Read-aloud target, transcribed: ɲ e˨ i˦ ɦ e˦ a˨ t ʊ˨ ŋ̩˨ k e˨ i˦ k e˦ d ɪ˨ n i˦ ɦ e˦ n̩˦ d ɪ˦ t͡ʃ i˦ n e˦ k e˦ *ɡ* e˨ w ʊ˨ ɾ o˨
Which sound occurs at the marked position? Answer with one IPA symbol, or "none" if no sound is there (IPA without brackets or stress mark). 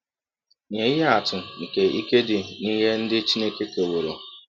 k